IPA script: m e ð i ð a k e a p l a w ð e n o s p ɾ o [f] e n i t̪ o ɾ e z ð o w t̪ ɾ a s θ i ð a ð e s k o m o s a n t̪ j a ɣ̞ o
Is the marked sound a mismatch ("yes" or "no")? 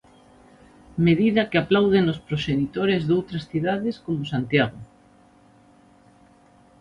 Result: yes